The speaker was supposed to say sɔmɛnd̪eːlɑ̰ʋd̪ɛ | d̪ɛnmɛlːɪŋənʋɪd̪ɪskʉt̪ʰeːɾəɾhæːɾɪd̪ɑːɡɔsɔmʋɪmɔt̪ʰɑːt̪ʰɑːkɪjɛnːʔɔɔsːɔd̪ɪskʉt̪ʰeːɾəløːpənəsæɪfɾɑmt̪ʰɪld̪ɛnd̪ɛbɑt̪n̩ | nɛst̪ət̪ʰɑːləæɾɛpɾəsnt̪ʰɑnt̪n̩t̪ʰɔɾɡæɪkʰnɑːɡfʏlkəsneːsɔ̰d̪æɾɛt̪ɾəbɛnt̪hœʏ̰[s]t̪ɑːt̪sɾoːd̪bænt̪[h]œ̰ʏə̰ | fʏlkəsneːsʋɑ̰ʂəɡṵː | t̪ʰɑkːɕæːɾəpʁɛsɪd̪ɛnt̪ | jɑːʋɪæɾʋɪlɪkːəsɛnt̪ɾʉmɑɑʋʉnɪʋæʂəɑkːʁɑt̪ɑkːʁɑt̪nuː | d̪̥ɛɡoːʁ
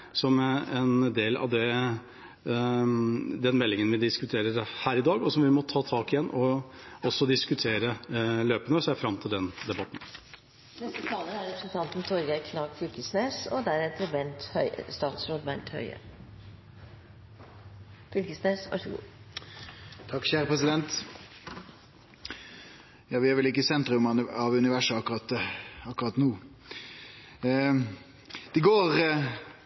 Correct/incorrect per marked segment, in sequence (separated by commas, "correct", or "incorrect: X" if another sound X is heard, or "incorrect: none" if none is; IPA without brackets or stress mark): correct, correct